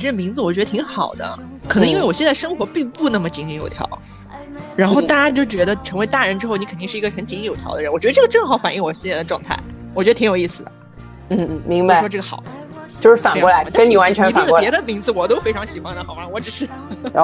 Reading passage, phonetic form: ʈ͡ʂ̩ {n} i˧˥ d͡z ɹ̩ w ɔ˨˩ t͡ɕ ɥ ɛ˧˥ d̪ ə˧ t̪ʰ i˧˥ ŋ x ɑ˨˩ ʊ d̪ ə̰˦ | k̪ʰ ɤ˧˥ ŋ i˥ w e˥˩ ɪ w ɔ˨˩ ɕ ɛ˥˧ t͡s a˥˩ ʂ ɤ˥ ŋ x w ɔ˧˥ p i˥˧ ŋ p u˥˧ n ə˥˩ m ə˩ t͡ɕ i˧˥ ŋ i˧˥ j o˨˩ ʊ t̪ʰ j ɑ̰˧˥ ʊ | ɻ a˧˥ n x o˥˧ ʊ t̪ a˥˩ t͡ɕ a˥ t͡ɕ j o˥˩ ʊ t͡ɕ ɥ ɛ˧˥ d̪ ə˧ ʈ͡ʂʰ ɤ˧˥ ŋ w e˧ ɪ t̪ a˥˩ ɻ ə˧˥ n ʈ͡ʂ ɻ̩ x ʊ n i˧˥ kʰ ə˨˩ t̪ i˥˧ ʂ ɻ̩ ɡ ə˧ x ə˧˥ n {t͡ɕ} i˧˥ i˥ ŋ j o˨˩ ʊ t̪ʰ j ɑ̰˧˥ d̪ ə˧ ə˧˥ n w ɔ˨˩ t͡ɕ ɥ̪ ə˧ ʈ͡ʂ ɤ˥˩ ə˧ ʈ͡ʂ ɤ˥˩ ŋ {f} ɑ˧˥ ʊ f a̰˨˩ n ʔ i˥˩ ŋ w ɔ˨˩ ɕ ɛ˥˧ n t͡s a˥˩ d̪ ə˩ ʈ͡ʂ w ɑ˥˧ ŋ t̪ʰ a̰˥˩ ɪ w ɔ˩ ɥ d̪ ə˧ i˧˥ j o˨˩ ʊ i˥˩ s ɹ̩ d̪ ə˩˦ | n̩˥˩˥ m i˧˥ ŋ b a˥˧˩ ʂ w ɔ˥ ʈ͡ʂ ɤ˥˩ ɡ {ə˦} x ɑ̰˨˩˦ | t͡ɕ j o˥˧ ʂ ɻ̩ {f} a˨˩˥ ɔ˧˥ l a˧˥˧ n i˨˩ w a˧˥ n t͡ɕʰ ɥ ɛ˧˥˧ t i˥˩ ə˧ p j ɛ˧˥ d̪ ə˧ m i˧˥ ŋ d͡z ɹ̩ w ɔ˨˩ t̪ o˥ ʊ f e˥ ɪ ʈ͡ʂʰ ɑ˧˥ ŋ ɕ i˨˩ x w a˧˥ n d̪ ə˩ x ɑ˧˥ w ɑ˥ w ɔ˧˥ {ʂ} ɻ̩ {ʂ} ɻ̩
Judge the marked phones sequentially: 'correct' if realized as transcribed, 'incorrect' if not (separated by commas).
incorrect, correct, incorrect, incorrect, correct, incorrect, correct